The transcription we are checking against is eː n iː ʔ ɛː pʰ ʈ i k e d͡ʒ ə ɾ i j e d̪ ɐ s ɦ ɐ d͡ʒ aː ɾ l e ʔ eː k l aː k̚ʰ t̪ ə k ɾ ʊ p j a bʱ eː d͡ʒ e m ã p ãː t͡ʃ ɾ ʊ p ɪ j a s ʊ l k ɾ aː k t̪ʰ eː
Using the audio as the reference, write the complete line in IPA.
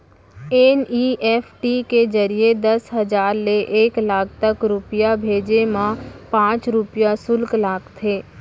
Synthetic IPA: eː n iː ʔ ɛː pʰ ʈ i k e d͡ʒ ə ɾ i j e d̪ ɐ s ɦ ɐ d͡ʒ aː ɾ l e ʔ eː k l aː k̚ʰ t̪ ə k ɾ ʊ p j a bʱ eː d͡ʒ e m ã p ãː t͡ʃ ɾ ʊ p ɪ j a s ʊ l k l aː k t̪ʰ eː